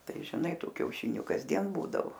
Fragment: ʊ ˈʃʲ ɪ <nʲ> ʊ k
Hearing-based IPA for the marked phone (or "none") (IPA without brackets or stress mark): nʲ